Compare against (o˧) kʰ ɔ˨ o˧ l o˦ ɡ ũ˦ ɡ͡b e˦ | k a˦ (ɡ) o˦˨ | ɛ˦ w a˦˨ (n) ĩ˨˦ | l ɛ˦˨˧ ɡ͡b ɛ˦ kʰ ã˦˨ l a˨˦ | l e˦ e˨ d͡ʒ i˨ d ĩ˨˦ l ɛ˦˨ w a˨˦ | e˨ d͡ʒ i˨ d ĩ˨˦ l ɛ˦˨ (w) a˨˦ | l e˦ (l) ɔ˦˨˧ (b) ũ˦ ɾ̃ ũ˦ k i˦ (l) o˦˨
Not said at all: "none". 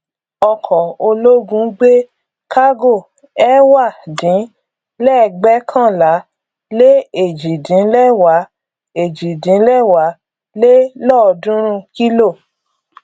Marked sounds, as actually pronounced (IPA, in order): ɔ˧, ɡ, d, w, l, d, l

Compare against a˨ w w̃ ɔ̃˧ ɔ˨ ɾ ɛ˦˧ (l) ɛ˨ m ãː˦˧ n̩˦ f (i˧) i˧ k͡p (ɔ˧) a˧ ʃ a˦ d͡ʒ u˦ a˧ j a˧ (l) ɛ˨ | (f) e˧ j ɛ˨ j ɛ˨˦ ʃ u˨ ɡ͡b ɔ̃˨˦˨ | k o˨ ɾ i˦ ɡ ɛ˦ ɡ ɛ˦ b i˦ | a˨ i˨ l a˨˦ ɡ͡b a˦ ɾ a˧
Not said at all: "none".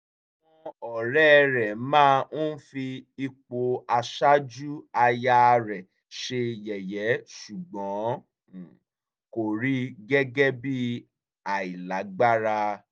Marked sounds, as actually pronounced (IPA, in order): ɾ, i˧, o˧, ɾ, ʃ

